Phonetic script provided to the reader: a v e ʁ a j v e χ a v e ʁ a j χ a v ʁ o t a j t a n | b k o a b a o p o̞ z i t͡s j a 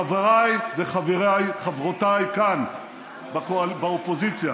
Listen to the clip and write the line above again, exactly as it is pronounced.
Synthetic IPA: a v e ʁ a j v e χ a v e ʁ a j χ a v ʁ o t a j k a n | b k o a b a o p o̞ z i t͡s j a